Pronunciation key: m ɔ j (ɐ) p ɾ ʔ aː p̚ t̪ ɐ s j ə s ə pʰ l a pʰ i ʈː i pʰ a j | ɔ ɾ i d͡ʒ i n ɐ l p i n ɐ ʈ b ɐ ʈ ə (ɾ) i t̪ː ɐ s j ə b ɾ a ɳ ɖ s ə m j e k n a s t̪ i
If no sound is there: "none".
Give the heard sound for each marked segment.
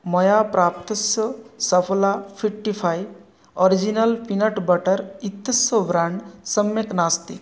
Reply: a, ɾ

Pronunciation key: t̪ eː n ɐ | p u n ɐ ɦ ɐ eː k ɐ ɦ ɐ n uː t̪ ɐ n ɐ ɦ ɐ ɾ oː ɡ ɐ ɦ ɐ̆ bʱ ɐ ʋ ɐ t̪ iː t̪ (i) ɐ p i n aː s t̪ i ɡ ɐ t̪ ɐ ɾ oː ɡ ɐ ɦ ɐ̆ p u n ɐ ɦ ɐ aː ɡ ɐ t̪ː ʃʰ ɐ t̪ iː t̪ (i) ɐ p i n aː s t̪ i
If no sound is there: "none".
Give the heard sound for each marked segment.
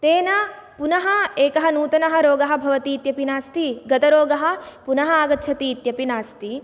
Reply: j, j

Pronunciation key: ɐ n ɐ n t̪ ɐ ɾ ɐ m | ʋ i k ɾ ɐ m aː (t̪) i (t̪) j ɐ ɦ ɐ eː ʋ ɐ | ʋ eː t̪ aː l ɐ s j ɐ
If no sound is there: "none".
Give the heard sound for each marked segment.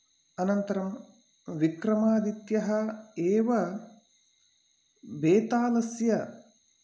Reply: d̪, t̪

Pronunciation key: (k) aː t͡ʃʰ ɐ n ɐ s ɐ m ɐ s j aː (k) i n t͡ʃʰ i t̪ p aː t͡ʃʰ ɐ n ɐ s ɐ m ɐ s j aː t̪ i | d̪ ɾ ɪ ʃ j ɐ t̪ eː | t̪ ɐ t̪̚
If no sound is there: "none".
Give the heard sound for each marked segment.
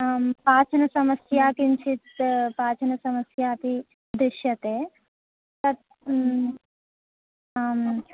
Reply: p, k

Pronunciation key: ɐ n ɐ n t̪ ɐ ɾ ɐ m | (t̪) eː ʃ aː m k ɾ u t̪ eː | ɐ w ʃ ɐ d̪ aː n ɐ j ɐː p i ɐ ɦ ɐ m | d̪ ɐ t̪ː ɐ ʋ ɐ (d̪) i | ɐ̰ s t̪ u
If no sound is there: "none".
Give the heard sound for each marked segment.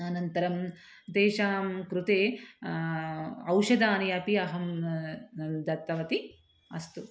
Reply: d̪, t̪

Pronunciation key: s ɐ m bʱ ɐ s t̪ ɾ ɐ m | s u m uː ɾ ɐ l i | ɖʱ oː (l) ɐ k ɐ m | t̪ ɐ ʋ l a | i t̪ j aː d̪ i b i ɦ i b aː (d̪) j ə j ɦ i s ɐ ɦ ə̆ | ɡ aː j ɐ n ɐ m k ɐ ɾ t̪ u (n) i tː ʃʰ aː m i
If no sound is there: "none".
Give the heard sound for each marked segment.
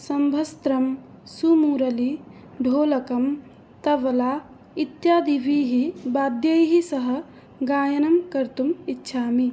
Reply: l, d̪, m

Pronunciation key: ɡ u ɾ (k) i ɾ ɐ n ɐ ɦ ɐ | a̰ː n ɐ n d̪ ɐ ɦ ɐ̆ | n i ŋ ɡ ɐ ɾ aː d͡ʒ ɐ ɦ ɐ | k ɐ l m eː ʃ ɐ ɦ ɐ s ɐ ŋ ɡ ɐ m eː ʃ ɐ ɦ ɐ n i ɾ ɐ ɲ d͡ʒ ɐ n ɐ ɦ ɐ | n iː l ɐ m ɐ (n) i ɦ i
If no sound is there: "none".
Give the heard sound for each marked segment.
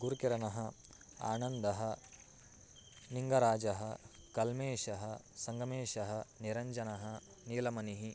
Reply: k, n

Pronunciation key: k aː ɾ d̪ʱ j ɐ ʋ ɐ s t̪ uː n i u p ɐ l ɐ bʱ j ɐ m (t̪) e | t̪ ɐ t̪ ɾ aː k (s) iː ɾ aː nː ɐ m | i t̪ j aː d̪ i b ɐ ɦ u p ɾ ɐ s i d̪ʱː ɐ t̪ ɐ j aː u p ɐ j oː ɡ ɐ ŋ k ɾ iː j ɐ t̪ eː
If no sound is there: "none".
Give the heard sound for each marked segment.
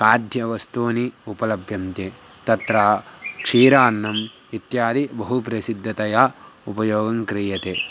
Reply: t̪, ʂ

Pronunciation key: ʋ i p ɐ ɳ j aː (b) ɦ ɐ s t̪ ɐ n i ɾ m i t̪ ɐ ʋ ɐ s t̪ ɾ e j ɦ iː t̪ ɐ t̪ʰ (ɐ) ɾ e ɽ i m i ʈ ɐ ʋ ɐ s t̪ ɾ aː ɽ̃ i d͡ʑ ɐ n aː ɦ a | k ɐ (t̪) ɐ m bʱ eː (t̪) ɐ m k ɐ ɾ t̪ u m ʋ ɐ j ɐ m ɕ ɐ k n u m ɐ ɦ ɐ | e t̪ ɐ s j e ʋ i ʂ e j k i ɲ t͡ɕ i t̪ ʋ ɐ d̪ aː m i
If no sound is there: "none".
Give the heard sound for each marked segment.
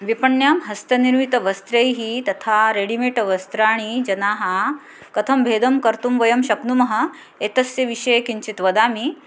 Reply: m, a, t̪ʰ, d̪

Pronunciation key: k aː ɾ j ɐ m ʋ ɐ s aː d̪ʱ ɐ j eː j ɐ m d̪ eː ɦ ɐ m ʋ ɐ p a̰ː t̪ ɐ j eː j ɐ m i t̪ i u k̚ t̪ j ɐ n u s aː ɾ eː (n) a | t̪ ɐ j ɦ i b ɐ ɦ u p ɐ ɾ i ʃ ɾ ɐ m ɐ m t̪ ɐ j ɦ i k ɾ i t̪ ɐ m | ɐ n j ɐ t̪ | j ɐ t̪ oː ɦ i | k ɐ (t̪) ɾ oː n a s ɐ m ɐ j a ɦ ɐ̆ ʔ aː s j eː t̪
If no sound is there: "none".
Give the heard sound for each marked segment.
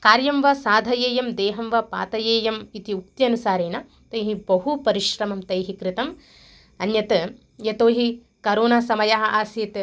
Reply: n, none

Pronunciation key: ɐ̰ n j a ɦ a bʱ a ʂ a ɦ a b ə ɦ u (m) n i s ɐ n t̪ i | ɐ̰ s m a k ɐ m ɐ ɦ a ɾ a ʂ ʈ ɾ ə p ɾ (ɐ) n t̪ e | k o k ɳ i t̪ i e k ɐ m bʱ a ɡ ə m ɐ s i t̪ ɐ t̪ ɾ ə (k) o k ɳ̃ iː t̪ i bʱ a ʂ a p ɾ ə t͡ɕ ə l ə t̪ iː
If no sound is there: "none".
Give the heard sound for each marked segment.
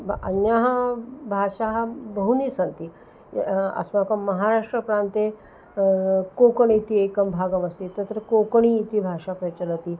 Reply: none, a, k

